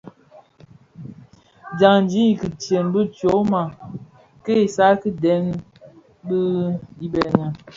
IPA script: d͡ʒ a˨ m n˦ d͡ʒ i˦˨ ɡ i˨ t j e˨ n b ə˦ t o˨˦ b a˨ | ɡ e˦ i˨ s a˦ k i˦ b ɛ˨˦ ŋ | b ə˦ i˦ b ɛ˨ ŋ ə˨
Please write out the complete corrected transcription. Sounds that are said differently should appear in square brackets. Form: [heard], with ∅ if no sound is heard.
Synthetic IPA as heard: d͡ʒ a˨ [ŋ] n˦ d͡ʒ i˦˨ [k] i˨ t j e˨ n b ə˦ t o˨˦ [m] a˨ | [k] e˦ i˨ s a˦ k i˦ [d] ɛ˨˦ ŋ | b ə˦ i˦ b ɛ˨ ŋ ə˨